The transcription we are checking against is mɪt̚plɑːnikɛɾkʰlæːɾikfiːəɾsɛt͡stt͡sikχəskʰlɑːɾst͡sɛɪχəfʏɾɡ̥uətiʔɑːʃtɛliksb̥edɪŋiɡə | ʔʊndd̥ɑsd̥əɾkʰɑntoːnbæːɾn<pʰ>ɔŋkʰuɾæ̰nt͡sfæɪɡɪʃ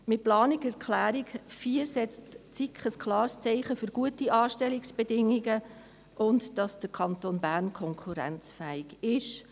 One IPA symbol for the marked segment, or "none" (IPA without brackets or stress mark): kʰ